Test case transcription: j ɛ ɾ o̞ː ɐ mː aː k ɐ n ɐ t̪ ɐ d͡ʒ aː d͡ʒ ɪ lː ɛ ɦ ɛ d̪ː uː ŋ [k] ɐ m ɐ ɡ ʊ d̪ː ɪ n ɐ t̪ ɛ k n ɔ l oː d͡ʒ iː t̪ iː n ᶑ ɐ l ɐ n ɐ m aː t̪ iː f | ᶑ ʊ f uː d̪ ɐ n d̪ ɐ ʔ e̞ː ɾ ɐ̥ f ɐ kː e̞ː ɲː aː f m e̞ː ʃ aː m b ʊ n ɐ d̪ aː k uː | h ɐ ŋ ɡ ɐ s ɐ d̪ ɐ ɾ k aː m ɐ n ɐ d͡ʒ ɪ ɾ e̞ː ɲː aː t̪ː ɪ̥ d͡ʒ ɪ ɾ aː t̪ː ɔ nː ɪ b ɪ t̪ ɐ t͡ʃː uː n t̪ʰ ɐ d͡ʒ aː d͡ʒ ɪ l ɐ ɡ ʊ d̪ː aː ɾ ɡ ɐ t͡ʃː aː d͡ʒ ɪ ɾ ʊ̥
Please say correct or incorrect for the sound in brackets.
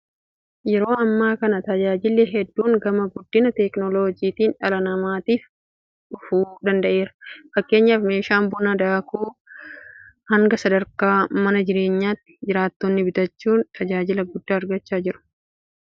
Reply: incorrect